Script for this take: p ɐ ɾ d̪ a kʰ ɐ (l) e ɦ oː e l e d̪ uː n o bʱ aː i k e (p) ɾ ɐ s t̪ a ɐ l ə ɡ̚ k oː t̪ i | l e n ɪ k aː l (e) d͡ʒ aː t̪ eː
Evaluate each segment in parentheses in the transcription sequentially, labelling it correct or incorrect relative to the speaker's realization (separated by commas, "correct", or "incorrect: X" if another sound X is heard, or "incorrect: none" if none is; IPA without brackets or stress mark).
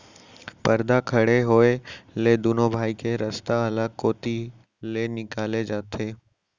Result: incorrect: ɽ, incorrect: none, correct